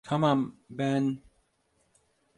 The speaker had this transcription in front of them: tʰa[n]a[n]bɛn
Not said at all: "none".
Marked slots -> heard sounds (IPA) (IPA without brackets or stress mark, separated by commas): m, m